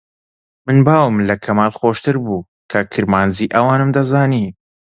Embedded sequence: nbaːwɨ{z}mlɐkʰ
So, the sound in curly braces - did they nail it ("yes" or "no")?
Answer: no